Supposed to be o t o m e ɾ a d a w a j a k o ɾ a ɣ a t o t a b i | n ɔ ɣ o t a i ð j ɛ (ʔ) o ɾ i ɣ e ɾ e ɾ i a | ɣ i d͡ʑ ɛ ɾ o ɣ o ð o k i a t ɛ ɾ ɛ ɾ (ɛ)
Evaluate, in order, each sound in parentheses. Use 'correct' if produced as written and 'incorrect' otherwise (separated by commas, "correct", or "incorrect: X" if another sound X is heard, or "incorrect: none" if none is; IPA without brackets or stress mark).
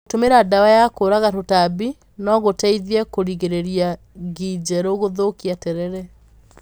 incorrect: k, correct